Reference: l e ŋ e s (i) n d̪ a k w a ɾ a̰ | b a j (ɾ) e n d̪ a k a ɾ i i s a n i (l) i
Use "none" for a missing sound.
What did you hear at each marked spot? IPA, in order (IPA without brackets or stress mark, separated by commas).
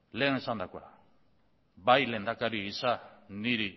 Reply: a, l, ɾ